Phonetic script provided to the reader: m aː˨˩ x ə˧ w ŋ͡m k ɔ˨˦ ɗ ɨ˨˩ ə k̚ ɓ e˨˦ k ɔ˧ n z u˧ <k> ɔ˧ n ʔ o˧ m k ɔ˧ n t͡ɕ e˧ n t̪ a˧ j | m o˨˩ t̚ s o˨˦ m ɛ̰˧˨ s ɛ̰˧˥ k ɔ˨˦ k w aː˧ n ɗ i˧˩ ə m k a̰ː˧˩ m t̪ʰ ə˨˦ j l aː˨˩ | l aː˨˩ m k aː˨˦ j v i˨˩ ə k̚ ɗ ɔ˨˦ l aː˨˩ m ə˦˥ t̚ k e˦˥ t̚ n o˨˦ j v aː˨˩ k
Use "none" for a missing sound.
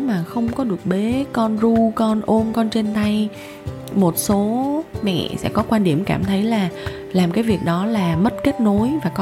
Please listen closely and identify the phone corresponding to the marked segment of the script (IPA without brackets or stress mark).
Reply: k